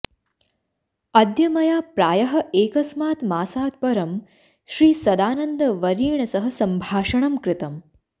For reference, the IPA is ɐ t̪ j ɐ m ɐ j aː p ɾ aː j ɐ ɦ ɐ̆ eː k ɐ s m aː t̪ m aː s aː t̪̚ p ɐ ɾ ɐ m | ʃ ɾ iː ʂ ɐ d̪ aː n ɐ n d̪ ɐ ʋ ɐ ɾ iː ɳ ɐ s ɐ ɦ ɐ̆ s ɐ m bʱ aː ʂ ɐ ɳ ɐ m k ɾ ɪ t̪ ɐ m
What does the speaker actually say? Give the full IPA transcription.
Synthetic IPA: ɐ d̪ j ɐ m ɐ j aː p ɾ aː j ɐ ɦ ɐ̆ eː k ɐ s m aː t̪ m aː s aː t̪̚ p ɐ ɾ ɐ m | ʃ ɾ iː s ɐ d̪ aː n ɐ n d̪ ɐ ʋ ɐ ɾ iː ɳ ɐ s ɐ ɦ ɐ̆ s ɐ m bʱ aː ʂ ɐ ɳ ɐ m k ɾ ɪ t̪ ɐ m